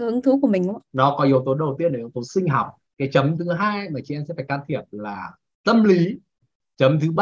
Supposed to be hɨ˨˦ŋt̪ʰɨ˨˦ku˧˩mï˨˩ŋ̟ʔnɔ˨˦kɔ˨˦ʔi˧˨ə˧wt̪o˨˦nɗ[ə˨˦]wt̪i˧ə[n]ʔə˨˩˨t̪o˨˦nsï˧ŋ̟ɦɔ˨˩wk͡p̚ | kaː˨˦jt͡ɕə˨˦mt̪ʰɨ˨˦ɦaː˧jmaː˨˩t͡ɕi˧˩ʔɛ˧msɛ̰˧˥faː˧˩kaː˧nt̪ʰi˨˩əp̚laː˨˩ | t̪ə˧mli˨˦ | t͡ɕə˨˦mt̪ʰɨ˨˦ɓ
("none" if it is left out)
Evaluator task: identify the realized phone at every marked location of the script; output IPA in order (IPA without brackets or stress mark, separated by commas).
ə˨˩, n